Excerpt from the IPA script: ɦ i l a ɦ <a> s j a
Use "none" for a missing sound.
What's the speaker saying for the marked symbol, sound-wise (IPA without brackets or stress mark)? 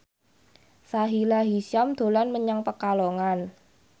i